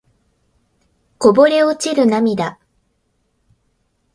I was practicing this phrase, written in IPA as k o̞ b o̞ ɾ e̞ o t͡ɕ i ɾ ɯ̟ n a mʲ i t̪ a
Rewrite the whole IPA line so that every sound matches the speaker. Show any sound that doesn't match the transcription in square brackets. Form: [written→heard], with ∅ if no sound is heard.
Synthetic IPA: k o̞ b o̞ ɾ e̞ o t͡ɕ i ɾ ɯ̟ n a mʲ i [t̪→d̪] a